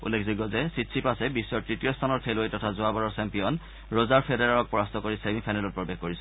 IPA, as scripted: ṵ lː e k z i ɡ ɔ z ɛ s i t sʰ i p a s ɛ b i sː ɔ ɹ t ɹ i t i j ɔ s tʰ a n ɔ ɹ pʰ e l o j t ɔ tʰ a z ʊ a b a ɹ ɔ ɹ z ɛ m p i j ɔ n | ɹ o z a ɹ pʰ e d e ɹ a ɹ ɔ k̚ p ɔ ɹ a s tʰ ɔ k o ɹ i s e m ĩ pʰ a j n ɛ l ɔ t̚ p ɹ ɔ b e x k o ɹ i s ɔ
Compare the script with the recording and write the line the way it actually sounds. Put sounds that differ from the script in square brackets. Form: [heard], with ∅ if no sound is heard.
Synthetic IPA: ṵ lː e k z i ɡ ɔ z ɛ s i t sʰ i p a s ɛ b i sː ɔ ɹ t ɹ i t i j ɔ s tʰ a n ɔ ɹ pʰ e l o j t ɔ tʰ a z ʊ a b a ɹ ɔ ɹ [s] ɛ m p i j ɔ n | ɹ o z a ɹ pʰ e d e ɹ a ɹ ɔ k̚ p ɔ ɹ a s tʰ ɔ k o ɹ i s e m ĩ pʰ a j n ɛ l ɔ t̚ p ɹ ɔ b e x k o ɹ i s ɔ

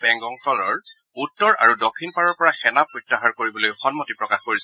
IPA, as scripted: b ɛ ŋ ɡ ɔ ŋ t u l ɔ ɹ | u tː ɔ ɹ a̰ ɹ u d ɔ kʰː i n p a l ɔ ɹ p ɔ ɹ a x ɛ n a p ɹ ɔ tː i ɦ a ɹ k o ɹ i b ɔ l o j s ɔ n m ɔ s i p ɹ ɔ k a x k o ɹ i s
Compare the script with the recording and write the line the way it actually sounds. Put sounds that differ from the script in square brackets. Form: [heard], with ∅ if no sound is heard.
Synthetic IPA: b ɛ ŋ ɡ ɔ ŋ t [ɔ] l ɔ ɹ | u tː ɔ ɹ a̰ ɹ u d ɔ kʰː i n p a [ɹ] ɔ ɹ p ɔ ɹ a x ɛ n a p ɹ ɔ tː [a] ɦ a ɹ k o ɹ i b ɔ l o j [x] ɔ n m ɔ [t] i p ɹ ɔ k a x k o ɹ i s

